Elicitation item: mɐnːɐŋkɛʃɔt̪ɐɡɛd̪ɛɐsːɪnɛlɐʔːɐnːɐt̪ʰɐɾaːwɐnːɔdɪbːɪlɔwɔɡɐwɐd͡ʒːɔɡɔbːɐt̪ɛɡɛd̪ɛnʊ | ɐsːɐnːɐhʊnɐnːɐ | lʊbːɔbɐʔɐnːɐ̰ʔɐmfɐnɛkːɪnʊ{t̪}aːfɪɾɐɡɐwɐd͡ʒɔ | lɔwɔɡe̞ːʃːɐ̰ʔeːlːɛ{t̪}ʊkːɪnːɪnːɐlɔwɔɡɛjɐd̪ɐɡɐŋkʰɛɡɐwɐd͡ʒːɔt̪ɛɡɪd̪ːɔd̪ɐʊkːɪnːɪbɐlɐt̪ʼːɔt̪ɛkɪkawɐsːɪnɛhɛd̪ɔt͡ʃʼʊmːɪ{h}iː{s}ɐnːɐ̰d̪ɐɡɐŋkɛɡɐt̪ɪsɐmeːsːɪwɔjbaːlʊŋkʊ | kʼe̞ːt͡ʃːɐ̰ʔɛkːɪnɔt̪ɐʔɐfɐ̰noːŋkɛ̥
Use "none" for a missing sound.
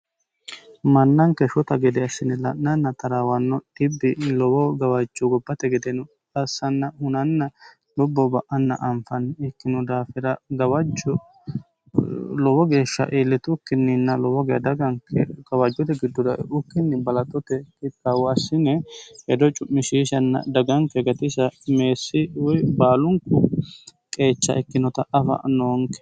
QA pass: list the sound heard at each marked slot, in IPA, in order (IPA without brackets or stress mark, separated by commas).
d̪, t̪, ʃ, ʃ